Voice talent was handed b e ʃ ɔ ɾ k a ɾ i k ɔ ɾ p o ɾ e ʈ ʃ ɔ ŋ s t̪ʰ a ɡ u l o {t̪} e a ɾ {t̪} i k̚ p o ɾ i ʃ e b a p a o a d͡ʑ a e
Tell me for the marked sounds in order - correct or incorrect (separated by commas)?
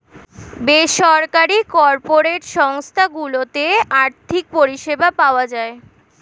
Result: correct, incorrect